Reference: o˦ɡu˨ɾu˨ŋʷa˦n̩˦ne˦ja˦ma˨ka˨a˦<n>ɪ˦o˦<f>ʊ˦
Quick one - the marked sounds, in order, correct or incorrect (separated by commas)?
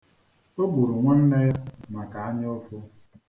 incorrect, correct